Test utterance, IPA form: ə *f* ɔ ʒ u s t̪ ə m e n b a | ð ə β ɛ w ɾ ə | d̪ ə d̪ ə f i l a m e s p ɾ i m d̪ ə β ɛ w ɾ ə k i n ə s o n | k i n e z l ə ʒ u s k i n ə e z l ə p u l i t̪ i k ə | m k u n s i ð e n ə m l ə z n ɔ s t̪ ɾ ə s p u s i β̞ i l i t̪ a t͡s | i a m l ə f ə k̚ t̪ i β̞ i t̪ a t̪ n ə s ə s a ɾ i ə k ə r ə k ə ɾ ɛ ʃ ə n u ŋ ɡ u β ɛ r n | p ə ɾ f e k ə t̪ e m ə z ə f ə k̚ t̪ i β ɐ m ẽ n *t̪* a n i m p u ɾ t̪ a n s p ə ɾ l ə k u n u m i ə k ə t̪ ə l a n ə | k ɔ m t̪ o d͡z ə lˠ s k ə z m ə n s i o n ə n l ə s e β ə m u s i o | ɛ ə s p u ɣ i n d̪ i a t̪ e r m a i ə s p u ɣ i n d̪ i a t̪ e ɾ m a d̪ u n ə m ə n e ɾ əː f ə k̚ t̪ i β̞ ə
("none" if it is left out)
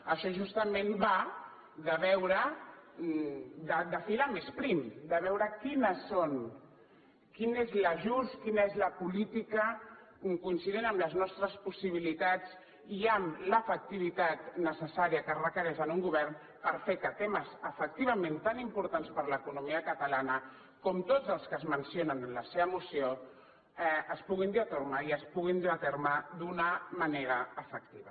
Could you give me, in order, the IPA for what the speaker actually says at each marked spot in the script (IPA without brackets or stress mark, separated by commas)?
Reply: ʃ, t̪